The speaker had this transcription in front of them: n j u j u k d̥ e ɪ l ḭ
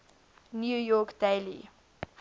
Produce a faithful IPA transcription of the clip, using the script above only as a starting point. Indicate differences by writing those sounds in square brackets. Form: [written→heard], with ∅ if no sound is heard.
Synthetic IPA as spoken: n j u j [u→ɔ] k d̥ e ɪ l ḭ